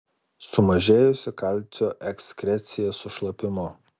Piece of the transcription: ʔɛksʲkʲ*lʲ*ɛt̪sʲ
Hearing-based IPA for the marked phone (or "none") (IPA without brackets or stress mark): ɾʲ